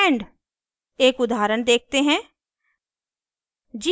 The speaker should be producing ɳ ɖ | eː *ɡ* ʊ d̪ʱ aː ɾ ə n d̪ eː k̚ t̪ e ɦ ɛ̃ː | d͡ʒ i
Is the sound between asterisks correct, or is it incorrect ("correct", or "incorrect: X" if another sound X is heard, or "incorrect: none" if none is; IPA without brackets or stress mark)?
incorrect: k